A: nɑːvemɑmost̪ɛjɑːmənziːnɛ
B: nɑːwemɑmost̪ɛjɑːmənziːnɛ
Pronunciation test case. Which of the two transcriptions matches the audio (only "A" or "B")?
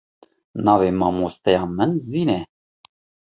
A